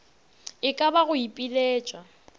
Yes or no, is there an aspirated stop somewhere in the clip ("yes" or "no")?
no